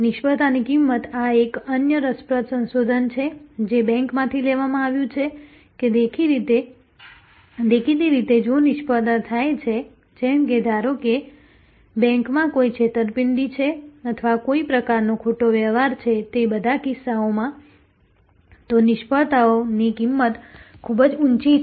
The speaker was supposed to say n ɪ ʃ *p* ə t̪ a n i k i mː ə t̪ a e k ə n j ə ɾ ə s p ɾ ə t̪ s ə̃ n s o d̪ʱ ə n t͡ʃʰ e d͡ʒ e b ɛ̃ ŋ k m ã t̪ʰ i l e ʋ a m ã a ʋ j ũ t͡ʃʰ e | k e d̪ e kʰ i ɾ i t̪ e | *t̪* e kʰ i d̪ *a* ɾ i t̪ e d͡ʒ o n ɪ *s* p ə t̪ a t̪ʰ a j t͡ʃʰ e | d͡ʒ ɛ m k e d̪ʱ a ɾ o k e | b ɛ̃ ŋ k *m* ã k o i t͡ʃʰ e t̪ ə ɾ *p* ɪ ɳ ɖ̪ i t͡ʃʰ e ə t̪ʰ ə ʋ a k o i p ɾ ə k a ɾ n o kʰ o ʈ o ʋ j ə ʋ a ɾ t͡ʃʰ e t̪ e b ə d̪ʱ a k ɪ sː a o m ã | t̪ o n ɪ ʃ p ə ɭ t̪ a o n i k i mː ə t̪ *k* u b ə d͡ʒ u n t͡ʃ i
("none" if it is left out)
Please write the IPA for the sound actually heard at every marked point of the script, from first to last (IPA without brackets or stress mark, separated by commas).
p, d̪, i, ʃ, m, p, kʰ